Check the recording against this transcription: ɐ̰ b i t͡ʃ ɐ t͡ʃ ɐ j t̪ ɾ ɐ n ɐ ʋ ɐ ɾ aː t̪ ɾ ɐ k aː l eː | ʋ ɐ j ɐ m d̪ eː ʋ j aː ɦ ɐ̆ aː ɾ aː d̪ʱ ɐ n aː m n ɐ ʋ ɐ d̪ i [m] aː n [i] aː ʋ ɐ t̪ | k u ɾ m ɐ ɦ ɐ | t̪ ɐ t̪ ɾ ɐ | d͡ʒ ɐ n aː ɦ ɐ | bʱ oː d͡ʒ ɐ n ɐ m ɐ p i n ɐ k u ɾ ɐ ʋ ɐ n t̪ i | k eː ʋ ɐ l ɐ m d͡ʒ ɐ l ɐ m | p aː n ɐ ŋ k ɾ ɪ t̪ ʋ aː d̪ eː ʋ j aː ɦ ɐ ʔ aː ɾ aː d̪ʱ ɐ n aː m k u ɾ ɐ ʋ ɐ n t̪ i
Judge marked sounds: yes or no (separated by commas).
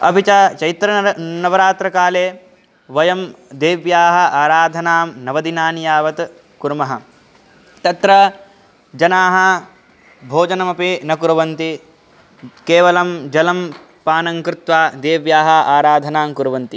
no, no